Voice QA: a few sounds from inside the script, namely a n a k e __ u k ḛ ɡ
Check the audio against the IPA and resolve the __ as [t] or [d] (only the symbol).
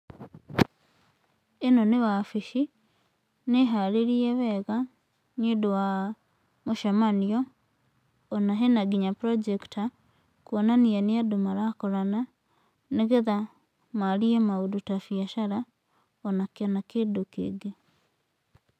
d